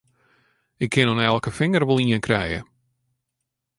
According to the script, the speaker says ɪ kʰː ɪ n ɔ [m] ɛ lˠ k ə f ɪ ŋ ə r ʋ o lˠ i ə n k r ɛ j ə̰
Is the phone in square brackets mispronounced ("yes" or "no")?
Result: yes